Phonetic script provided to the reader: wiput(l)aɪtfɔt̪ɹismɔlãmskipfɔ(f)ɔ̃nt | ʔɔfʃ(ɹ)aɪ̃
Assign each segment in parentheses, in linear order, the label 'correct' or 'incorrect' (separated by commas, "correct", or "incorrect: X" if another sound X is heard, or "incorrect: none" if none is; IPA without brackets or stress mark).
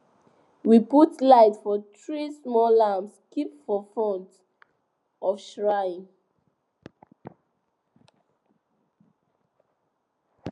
correct, correct, correct